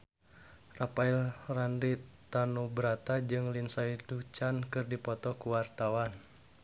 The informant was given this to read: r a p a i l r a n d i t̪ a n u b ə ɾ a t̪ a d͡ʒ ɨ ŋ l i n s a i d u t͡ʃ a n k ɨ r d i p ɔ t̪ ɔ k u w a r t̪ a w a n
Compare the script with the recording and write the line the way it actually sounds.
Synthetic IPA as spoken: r a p a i l r a n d i t̪ a n u b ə ɾ a t̪ a d͡ʒ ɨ ŋ l i n s a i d u t͡ʃ a n k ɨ r d i p ɔ t̪ ɔ k u w a r t̪ a w a n